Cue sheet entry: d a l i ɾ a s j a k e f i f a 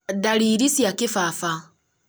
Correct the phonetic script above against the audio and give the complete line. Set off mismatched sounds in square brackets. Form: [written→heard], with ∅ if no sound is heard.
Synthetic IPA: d a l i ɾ [a→i] s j a k [e→i] f [i→a] f a